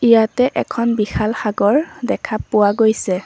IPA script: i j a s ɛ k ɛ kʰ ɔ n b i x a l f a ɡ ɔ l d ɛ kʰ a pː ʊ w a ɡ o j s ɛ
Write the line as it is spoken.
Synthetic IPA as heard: i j a t ɛ ʔ ɛ kʰ ɔ n b i x a l x a ɡ ɔ ɹ d ɛ kʰ a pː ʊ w a ɡ o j s ɛ